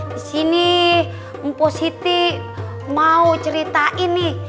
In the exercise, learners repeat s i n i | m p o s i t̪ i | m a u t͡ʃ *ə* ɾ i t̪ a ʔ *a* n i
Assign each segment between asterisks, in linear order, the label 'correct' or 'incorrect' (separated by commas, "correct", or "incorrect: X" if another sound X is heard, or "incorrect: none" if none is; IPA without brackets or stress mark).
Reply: correct, incorrect: i